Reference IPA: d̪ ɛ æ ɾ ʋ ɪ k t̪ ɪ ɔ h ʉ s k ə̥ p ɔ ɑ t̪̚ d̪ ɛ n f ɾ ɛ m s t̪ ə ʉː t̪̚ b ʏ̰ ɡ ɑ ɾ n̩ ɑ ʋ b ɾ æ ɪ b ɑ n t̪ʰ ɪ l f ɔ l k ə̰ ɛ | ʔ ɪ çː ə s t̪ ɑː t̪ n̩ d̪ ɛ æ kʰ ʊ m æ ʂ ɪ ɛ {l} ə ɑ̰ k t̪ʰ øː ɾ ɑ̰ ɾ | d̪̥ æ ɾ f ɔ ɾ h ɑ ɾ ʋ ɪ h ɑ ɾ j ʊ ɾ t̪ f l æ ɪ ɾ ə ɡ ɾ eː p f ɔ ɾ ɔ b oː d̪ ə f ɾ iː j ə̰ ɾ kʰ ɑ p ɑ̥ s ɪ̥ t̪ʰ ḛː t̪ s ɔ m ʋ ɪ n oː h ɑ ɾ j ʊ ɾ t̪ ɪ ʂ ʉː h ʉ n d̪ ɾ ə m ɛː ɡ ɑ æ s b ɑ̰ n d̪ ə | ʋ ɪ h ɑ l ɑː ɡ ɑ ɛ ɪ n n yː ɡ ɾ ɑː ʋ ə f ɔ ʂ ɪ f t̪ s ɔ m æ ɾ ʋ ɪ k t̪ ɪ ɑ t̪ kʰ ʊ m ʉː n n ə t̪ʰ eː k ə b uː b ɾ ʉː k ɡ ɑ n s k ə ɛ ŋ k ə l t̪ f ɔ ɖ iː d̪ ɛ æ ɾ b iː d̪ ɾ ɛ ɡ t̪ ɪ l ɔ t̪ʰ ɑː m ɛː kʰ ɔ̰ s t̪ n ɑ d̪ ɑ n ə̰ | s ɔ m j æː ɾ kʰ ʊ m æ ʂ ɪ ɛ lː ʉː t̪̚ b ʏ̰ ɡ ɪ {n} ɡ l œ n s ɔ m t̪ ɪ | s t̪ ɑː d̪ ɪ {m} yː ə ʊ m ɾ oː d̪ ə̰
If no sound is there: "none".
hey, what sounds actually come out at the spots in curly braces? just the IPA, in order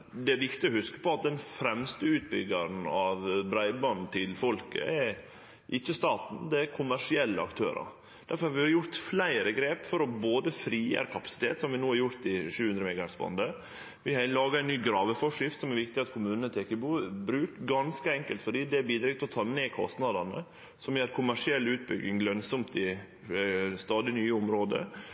lː, ŋ, n

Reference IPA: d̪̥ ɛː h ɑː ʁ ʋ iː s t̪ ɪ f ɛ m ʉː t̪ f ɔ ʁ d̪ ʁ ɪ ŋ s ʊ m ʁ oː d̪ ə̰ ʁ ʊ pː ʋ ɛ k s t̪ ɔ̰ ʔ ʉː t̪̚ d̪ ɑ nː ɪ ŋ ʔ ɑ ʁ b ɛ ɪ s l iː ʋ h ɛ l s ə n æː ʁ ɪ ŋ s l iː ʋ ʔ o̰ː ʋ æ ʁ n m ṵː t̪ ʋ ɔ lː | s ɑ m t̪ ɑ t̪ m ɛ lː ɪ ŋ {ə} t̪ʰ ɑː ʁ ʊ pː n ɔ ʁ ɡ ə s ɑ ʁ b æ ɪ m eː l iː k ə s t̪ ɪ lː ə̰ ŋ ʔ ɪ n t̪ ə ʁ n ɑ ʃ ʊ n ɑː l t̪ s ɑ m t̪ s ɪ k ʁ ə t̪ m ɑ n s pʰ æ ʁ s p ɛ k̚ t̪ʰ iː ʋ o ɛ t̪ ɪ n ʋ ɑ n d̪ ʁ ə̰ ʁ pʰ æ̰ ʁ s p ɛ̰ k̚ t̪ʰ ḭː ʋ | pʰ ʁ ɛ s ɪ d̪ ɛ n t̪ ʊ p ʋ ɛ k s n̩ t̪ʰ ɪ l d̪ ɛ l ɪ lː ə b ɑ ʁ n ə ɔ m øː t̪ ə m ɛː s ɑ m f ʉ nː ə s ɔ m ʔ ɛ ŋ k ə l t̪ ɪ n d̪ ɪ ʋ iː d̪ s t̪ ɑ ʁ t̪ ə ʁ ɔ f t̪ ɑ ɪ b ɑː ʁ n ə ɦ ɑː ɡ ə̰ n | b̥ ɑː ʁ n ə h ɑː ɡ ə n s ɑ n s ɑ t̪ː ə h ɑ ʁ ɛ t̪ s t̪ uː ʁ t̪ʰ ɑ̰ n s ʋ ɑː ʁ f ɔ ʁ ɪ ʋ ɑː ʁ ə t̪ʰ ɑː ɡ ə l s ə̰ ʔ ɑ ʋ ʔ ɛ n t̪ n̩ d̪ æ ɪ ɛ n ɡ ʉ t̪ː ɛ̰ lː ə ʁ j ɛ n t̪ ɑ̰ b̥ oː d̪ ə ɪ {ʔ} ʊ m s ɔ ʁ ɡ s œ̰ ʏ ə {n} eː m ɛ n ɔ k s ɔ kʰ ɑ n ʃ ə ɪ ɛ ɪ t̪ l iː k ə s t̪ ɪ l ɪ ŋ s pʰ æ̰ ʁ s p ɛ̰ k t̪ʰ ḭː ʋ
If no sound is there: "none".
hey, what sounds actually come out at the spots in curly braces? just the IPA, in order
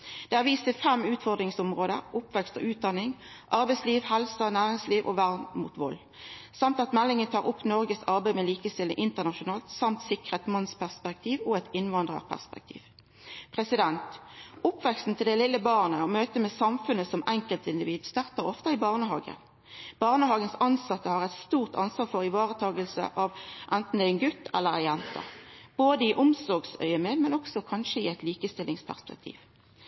ə, ʔ, m

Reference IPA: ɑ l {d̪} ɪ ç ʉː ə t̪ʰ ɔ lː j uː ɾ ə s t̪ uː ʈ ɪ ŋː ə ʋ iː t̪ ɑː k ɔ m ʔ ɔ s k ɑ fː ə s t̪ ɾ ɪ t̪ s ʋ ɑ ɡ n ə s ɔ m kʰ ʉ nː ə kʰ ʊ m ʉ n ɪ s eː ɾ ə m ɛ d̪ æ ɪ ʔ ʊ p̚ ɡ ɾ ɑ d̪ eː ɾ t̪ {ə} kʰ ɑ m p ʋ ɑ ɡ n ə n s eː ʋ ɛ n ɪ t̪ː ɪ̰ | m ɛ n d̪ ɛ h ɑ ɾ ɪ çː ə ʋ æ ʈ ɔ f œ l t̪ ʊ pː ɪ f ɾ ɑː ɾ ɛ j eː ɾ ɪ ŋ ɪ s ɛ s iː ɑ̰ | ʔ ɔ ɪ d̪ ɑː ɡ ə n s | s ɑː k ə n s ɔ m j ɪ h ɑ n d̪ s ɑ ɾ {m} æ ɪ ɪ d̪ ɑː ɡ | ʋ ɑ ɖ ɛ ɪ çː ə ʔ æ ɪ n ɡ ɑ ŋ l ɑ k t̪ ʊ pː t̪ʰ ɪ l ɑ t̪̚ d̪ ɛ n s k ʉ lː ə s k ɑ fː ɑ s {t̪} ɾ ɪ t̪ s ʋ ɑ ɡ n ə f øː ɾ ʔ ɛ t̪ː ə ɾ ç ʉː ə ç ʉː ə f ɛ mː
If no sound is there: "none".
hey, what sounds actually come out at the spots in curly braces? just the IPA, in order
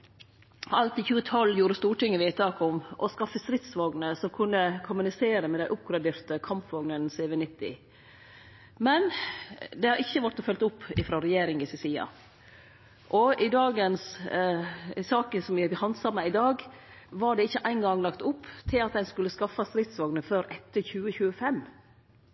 t̪, ə, m, t̪

